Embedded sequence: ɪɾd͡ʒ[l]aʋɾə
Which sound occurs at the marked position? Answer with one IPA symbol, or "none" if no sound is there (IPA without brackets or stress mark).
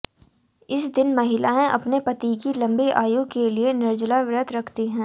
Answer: l